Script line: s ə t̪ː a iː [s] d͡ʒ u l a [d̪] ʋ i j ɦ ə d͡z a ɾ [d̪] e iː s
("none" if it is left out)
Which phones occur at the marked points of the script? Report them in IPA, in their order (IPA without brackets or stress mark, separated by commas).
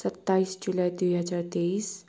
s, d̪, t̪